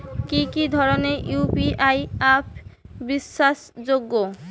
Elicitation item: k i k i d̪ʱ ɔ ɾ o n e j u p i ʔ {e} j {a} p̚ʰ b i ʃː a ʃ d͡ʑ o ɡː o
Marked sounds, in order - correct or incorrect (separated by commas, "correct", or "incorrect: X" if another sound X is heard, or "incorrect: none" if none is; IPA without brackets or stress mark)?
incorrect: a, correct